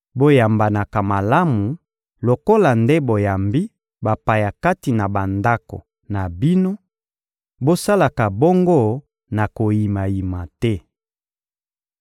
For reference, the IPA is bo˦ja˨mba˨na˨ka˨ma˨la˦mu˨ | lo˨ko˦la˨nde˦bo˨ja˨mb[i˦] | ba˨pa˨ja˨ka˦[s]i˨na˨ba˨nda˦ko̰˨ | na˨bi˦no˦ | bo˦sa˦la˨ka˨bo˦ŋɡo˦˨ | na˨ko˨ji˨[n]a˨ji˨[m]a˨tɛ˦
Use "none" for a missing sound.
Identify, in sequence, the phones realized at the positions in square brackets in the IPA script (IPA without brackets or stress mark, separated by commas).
i˦, t, m, m